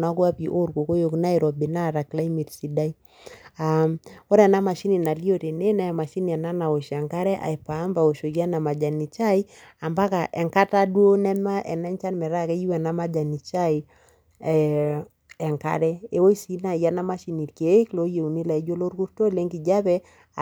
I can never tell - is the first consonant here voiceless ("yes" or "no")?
no